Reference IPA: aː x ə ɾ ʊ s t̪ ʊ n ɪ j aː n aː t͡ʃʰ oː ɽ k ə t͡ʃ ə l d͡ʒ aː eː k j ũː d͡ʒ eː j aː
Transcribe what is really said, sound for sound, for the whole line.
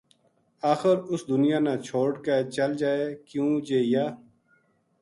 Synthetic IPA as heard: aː x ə ɾ ʊ s d̪ ʊ n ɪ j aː n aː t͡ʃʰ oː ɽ k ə t͡ʃ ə l d͡ʒ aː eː k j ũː d͡ʒ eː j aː